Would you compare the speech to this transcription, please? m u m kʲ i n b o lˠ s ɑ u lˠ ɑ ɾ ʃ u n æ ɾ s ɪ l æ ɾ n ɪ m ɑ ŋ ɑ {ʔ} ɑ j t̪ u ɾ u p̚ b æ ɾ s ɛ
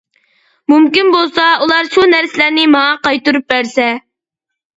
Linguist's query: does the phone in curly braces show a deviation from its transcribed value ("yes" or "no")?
yes